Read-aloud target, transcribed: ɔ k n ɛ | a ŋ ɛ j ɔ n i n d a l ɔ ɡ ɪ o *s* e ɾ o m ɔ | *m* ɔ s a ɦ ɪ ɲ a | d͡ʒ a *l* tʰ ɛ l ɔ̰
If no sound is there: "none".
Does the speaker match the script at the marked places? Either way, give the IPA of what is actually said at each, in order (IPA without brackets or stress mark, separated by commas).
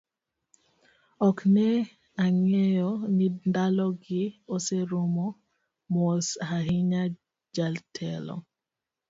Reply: s, m, l